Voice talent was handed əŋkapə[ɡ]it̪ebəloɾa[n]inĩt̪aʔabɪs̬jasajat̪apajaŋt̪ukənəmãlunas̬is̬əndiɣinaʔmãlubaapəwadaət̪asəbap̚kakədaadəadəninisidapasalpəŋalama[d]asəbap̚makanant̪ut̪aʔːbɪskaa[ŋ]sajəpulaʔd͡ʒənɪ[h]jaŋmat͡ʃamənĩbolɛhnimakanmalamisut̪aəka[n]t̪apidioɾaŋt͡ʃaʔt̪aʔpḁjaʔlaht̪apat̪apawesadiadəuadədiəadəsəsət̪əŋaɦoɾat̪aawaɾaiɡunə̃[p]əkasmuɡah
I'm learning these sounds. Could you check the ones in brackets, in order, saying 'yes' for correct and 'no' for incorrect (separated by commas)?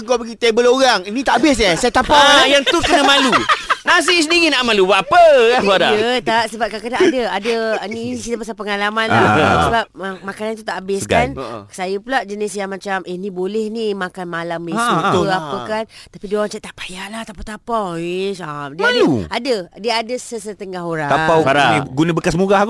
yes, no, no, no, no, yes, no